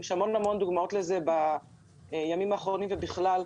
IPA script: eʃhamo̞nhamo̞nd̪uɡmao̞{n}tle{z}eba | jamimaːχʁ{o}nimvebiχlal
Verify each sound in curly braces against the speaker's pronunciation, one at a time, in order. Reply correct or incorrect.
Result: incorrect, correct, correct

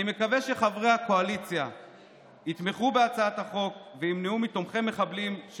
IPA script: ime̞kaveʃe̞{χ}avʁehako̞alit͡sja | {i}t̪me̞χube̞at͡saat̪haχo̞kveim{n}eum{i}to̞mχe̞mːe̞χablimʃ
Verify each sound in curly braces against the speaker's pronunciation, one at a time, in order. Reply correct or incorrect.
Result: correct, correct, correct, correct

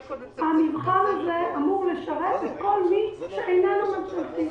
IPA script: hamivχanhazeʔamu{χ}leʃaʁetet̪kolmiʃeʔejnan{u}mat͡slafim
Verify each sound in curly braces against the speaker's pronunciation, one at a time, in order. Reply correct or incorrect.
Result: incorrect, correct

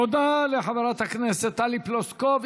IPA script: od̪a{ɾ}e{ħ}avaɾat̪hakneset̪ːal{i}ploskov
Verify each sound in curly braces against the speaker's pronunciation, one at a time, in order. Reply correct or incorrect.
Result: incorrect, correct, correct

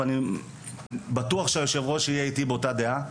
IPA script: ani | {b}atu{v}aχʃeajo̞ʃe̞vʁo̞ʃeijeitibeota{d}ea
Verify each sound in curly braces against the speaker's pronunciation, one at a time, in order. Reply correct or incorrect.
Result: correct, incorrect, correct

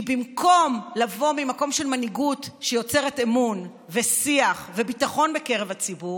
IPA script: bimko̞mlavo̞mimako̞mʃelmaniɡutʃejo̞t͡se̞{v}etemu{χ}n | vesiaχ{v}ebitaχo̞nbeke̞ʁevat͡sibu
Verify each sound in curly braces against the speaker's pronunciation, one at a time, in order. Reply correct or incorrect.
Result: incorrect, incorrect, correct

